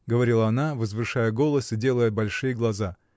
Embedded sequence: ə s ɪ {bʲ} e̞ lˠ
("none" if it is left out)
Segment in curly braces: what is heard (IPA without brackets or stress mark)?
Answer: dʲ